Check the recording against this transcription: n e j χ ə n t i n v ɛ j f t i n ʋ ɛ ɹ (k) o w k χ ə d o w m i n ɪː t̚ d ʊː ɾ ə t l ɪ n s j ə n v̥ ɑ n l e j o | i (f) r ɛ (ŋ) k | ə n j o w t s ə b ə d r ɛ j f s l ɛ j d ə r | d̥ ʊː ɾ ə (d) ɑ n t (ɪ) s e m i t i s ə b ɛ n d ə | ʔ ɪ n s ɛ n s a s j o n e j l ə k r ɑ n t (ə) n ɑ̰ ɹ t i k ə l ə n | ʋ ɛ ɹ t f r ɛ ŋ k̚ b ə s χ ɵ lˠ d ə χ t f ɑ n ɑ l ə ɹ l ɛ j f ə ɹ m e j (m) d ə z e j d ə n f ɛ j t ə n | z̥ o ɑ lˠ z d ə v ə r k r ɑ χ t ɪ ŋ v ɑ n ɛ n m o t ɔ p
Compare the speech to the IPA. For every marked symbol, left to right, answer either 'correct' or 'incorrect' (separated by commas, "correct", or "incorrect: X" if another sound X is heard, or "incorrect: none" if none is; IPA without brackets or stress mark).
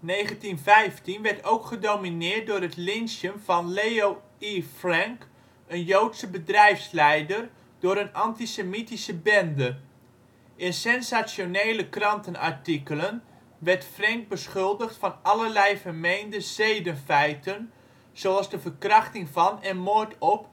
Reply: incorrect: t, correct, correct, incorrect: n, incorrect: i, correct, incorrect: n